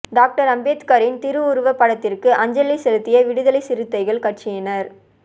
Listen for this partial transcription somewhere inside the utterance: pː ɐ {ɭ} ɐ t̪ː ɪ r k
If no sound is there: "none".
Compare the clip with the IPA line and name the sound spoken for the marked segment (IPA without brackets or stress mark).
ɽ